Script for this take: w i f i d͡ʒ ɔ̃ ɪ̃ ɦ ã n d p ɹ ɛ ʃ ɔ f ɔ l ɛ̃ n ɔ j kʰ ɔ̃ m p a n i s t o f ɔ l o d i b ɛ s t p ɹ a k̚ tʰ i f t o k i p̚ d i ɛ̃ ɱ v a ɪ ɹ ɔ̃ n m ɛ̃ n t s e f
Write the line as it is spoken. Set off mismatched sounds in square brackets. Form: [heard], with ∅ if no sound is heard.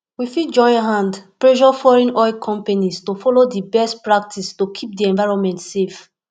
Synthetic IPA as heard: w i f i d͡ʒ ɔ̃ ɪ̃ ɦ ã n d p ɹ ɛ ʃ ɔ f ɔ [ɹ] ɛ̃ n ɔ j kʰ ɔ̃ m p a n i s t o f ɔ l o d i b ɛ s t p ɹ a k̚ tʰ i [s] t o [kʰ] i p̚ d i ɛ̃ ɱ v a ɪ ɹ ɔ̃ n m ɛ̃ n t s e f